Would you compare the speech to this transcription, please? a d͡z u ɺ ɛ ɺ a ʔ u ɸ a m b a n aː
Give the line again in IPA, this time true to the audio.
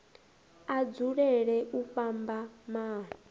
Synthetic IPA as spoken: a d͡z u ɺ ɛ ɺ ɛ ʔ u ɸ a m b a m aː